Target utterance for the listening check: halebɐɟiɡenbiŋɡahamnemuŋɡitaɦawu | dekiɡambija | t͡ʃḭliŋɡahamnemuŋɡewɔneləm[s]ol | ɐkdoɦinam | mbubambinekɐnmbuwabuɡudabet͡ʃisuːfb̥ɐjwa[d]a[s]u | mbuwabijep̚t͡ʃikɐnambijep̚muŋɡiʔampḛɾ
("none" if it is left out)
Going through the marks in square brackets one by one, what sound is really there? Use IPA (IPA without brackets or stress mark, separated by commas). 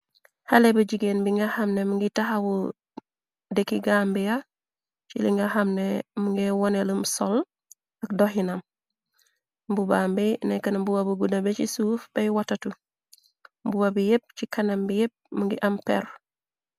s, t, t